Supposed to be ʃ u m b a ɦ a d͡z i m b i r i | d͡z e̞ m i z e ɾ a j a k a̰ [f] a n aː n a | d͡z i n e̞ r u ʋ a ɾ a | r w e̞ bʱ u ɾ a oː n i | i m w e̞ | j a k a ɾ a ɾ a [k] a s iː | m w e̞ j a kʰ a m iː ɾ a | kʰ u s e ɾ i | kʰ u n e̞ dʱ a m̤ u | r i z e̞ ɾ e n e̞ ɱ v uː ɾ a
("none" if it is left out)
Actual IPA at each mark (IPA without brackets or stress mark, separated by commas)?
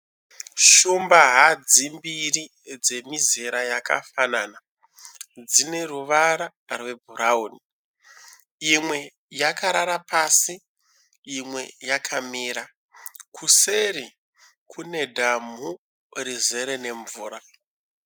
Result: f, p